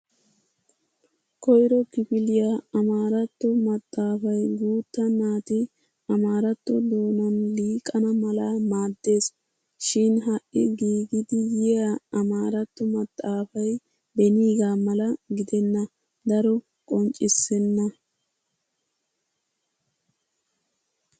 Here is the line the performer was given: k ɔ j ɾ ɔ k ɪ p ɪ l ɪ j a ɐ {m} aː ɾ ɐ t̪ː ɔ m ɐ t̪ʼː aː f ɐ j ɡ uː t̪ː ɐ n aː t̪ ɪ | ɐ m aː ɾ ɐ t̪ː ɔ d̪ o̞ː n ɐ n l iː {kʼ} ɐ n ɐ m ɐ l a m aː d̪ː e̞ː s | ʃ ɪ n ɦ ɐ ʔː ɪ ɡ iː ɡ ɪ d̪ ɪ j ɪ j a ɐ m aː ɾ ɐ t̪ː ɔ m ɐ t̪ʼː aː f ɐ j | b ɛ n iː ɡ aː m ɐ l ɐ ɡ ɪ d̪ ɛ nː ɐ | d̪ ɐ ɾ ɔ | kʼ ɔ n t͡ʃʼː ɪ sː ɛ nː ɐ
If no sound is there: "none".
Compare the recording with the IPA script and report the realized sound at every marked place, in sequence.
m, kʼ

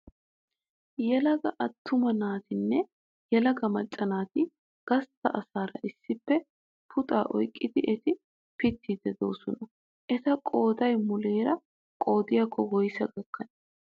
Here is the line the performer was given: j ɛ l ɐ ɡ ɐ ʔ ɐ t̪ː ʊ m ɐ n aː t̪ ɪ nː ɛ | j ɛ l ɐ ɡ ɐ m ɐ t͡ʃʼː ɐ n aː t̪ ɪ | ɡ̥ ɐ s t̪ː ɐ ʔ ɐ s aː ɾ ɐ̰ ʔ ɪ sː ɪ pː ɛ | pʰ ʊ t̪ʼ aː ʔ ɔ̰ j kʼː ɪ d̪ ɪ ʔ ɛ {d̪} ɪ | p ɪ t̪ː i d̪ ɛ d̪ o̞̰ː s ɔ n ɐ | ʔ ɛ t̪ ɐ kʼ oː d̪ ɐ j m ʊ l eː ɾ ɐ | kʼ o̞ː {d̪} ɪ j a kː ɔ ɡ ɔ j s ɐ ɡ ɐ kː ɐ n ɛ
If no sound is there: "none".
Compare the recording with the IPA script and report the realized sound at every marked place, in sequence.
t̪, d̪

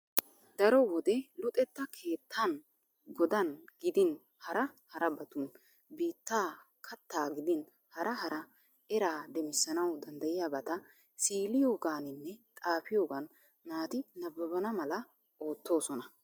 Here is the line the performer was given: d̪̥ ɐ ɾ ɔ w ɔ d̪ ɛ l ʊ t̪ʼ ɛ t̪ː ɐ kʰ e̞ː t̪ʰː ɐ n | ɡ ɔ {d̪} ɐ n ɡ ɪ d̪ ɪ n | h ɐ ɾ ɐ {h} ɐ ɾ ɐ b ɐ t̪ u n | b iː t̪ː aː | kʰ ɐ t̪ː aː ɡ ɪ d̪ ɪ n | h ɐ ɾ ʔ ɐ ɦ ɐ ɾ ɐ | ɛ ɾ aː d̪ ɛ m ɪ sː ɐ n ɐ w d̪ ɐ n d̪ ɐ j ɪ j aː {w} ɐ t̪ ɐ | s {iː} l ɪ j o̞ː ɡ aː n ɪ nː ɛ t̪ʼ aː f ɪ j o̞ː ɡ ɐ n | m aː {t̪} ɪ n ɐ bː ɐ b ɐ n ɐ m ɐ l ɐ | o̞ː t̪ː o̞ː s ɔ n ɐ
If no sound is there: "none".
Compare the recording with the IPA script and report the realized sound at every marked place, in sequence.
d̪, h, b, iː, t̪

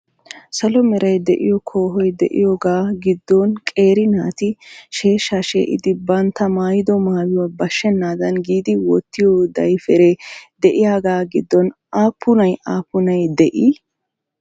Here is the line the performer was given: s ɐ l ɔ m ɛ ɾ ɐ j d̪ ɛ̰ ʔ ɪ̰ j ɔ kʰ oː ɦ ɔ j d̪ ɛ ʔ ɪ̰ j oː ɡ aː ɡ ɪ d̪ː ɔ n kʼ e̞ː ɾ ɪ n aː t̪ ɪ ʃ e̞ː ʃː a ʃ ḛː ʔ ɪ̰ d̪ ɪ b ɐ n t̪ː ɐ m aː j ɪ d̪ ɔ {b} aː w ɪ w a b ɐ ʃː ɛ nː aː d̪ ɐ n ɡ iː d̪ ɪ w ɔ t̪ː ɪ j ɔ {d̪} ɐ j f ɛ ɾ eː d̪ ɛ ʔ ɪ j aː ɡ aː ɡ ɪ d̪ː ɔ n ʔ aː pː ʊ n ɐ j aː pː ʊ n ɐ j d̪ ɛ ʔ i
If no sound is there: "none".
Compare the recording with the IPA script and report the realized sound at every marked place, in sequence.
m, d̪

